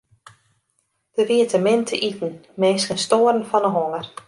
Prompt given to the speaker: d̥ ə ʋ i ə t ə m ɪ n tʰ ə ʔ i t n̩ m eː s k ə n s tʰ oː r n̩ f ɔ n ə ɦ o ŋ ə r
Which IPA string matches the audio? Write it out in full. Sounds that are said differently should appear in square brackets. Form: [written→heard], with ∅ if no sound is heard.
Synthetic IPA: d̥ ə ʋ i ə t ə m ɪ n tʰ ə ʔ i t n̩ m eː s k ə n s [tʰ→t] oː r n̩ f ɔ n ə ɦ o ŋ ə r

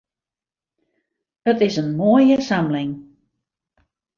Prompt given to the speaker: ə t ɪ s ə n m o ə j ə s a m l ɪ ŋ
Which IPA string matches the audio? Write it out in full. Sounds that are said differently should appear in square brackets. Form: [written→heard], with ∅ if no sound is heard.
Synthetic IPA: ə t ɪ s ə n m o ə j ə s a m l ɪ ŋ

